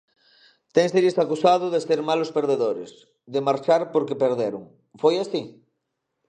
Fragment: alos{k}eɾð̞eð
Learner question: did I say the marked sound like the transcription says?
no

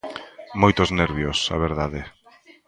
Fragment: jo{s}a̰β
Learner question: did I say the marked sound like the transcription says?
yes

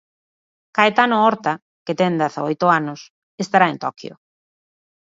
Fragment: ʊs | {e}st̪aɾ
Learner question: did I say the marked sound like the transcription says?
yes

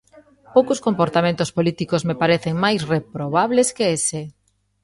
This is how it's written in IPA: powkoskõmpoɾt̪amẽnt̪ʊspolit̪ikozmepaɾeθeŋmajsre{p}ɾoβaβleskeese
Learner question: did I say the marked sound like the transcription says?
yes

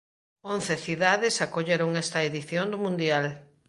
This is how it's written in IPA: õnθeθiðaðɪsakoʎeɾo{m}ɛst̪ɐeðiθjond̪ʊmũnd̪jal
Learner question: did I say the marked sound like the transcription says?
no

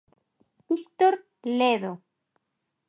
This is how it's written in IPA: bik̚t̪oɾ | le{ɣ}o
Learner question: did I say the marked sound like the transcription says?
no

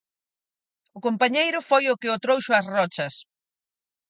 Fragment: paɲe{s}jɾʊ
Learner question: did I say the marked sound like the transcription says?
no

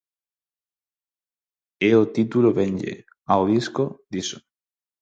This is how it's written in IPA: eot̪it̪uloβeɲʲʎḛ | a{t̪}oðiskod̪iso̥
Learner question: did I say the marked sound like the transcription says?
no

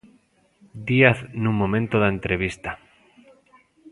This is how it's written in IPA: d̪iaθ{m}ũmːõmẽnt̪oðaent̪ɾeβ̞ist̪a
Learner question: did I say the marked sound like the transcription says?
no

